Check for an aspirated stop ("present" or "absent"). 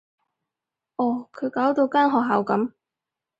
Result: present